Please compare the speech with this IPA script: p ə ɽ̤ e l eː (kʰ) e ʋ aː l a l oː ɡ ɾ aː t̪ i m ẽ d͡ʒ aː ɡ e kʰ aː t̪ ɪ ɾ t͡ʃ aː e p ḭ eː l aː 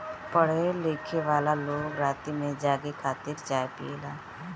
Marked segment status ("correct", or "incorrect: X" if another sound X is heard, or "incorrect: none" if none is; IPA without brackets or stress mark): correct